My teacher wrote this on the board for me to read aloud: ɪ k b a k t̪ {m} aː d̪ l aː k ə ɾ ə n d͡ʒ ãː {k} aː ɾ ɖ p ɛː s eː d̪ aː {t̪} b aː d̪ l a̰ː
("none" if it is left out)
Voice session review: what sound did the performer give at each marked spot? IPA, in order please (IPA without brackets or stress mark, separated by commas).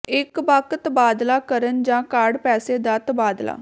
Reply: b, k, t̪